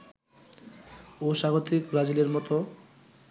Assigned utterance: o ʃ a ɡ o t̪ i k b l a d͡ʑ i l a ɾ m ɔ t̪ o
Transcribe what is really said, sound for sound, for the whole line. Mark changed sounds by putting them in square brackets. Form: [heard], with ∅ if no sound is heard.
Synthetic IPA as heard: o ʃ a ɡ o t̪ i k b [ɾ] a d͡ʑ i l [e] ɾ m ɔ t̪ o